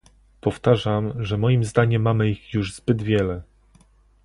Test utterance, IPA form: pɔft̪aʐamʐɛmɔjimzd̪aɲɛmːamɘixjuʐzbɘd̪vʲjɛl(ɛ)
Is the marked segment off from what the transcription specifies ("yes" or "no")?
no